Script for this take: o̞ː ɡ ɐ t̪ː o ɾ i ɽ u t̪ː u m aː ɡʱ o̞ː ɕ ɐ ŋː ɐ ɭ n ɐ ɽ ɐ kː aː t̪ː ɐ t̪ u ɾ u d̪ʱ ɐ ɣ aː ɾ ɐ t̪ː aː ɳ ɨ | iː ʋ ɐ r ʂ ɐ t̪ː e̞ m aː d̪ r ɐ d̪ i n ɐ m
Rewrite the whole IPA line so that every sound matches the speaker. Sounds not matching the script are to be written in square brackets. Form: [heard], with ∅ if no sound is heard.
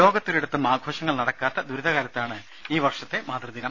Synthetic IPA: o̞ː ɡ ɐ t̪ː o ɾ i ɽ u t̪ː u m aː ɡʱ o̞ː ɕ ɐ ŋː ɐ ɭ n ɐ ɽ ɐ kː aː t̪ː ɐ [d̪] u ɾ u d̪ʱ ɐ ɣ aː ɾ ɐ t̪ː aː ɳ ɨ | iː ʋ ɐ r ʂ ɐ t̪ː e̞ m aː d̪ r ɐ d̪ i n ɐ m